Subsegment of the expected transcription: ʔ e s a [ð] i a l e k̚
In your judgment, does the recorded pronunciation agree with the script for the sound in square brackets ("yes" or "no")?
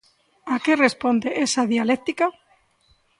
yes